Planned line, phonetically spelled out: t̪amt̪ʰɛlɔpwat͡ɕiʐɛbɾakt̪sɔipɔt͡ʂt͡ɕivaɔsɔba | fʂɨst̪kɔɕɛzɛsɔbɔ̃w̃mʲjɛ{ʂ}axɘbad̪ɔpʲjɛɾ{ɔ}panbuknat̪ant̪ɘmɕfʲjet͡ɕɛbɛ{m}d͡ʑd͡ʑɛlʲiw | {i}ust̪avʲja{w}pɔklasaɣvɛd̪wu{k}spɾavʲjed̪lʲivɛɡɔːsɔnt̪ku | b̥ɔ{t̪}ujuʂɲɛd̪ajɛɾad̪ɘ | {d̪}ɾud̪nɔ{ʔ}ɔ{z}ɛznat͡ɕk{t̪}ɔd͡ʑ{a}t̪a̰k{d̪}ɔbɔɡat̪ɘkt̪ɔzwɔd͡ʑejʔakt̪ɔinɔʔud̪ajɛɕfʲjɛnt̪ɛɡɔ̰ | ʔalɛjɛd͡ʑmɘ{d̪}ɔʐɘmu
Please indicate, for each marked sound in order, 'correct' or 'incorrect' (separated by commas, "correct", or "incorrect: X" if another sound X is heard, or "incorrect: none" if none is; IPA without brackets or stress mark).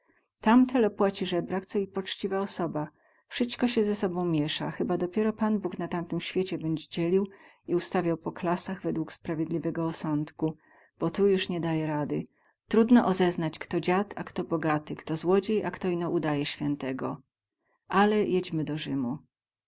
correct, correct, incorrect: ɲ, correct, correct, correct, correct, incorrect: t̪, correct, correct, correct, correct, incorrect: t̪, correct